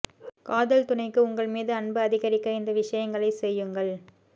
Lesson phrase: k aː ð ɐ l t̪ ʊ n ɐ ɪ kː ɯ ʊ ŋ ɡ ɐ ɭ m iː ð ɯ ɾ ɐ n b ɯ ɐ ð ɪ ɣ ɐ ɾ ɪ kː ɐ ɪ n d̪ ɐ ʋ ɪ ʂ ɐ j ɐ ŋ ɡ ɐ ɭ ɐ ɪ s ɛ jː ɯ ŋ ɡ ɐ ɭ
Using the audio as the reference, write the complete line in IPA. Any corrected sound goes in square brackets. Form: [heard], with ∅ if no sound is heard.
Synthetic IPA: k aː ð ɐ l t̪ ʊ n ɐ ɪ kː ɯ ʊ ŋ ɡ ɐ ɭ m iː ð ɯ [∅] ɐ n b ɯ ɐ ð ɪ ɣ ɐ ɾ ɪ kː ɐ ɪ n d̪ ɐ ʋ ɪ ʂ ɐ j ɐ ŋ ɡ ɐ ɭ ɐ ɪ s ɛ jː ɯ ŋ ɡ ɐ ɭ

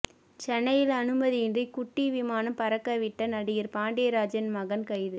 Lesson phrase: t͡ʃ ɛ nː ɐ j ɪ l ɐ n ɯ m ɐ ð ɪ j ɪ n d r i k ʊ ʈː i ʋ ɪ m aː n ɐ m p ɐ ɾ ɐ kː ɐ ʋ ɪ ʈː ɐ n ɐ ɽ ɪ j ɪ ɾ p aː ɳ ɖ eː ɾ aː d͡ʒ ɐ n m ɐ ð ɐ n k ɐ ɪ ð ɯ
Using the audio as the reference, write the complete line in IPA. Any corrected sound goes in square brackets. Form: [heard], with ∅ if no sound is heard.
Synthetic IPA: t͡ʃ ɛ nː ɐ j ɪ l ɐ n ɯ m ɐ ð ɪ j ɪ n d r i k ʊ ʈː i ʋ ɪ m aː n ɐ m p ɐ ɾ ɐ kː ɐ ʋ ɪ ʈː ɐ n ɐ ɽ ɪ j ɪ ɾ p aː ɳ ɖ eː ɾ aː d͡ʒ ɐ n m ɐ [ɣ] ɐ n k ɐ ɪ ð ɯ

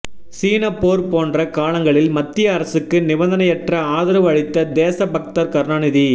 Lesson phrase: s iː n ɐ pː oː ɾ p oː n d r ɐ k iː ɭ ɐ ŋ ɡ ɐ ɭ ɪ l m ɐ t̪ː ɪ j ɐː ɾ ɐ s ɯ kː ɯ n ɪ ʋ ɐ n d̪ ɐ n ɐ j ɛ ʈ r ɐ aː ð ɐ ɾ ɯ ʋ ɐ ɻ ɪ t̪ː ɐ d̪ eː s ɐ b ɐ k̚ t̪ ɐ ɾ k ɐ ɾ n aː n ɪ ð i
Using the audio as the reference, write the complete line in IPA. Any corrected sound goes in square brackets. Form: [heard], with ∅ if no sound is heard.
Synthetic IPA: s iː n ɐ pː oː ɾ p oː n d r ɐ k [aː] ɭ ɐ ŋ ɡ ɐ ɭ ɪ l m ɐ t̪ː ɪ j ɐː ɾ ɐ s ɯ kː ɯ n ɪ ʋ ɐ n d̪ ɐ n ɐ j ɛ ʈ r ɐ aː ð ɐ ɾ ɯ ʋ ɐ ɻ ɪ t̪ː ɐ d̪ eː s ɐ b ɐ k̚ t̪ ɐ ɾ k ɐ ɾ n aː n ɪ ð i

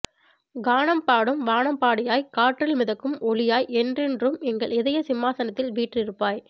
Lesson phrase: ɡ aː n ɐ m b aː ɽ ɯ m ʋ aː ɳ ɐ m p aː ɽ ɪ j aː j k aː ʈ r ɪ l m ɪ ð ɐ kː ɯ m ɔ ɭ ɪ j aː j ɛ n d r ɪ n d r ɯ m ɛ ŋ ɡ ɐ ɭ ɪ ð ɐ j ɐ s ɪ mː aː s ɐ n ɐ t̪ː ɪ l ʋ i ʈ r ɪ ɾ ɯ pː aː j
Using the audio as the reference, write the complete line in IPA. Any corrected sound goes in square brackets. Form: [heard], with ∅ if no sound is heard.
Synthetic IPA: ɡ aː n ɐ m [p] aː ɽ ɯ m ʋ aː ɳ ɐ m p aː ɽ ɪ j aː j k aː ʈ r ɪ l m ɪ ð ɐ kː ɯ m ɔ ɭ ɪ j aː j ɛ n d r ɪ n d r ɯ m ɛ ŋ ɡ ɐ ɭ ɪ ð ɐ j ɐ s ɪ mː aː s ɐ n ɐ t̪ː ɪ l ʋ [iː] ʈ r ɪ ɾ ɯ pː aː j

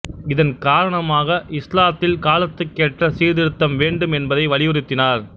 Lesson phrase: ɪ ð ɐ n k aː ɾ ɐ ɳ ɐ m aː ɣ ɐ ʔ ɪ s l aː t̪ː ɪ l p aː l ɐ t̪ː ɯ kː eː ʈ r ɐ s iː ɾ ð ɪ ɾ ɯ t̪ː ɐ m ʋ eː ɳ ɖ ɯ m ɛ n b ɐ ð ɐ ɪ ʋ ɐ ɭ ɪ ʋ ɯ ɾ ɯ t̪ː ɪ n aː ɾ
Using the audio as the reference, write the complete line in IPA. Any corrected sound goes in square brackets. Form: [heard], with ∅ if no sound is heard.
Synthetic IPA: ɪ ð ɐ n k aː ɾ ɐ ɳ ɐ m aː ɣ ɐ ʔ ɪ s l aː t̪ː ɪ l [k] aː l ɐ t̪ː ɯ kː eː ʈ r ɐ s iː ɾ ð ɪ ɾ ɯ t̪ː ɐ m ʋ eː ɳ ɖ ɯ m ɛ n b ɐ ð ɐ ɪ ʋ ɐ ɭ ɪ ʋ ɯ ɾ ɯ t̪ː ɪ n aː ɾ

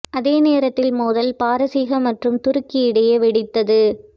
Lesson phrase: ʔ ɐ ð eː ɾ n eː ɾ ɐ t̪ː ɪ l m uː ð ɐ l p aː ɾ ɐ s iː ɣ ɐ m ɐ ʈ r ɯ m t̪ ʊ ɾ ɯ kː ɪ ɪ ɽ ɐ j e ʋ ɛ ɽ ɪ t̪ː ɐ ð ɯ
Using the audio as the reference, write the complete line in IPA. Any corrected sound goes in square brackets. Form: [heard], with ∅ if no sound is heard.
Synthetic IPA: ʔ ɐ ð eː [∅] n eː ɾ ɐ t̪ː ɪ l m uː ð ɐ l p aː ɾ ɐ s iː ɣ ɐ m ɐ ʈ r ɯ m t̪ ʊ ɾ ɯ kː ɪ ɪ ɽ ɐ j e ʋ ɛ ɽ ɪ t̪ː ɐ ð ɯ

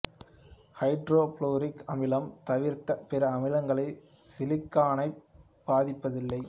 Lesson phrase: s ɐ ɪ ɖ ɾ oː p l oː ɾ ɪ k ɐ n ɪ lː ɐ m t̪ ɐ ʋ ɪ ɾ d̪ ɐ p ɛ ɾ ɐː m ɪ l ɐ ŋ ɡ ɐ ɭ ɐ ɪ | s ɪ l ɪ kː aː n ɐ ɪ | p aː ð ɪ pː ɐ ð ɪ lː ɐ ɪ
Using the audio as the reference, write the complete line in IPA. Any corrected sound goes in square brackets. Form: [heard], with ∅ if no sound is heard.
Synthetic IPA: [h] ɐ ɪ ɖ ɾ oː p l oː ɾ ɪ k ɐ [m] ɪ [l] ɐ m t̪ ɐ ʋ ɪ ɾ [t̪] ɐ p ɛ ɾ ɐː m ɪ l ɐ ŋ ɡ ɐ ɭ ɐ ɪ | s ɪ l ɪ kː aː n ɐ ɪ | [b] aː ð ɪ pː ɐ ð ɪ lː ɐ ɪ

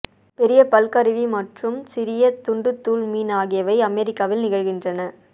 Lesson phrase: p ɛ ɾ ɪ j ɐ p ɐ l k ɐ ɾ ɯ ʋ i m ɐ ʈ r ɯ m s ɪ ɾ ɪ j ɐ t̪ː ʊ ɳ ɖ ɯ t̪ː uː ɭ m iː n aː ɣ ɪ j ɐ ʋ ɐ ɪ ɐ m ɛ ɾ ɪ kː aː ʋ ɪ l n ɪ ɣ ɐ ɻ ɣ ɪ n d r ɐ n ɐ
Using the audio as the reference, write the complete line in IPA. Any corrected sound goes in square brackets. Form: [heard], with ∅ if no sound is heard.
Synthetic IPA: p ɛ ɾ ɪ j ɐ p ɐ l k ɐ ɾ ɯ ʋ i m ɐ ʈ r ɯ m s ɪ ɾ ɪ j ɐ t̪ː ʊ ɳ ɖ ɯ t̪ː uː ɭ m iː n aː ɣ ɪ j ɐ ʋ ɐ ɪ ɐ m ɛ ɾ ɪ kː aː ʋ ɪ l n ɪ ɣ ɐ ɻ ɣ ɪ n d r ɐ n ɐ

